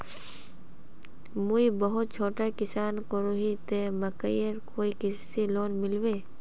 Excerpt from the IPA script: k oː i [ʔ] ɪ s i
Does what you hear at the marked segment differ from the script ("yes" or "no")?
yes